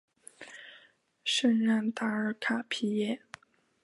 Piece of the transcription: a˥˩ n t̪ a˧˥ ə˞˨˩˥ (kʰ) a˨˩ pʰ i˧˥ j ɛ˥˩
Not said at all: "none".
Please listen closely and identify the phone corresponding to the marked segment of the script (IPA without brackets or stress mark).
kʰ